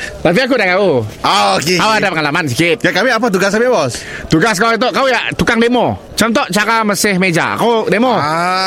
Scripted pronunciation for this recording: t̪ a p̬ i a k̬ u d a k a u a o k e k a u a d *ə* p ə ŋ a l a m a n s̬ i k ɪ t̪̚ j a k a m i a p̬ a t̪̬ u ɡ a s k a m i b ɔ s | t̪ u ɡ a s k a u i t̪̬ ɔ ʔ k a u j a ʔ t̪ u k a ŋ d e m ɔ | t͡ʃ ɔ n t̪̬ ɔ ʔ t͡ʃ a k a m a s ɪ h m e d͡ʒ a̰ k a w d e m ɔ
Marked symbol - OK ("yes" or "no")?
no